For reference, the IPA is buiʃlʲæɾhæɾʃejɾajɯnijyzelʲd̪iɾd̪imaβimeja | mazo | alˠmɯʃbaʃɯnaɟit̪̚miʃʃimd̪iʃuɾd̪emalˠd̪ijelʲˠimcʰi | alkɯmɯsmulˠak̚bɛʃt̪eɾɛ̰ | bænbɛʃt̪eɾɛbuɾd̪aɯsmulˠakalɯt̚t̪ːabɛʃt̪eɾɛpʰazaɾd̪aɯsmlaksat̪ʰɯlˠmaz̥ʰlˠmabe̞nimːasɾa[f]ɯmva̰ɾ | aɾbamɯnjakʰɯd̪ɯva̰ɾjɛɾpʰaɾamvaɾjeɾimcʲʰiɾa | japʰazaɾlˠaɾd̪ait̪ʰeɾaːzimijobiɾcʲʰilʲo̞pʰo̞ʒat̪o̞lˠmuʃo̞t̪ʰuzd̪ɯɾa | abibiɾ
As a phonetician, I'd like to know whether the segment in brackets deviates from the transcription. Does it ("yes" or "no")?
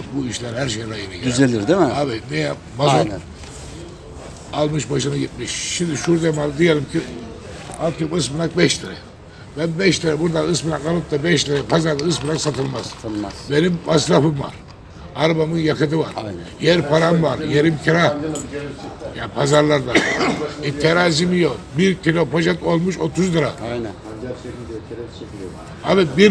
no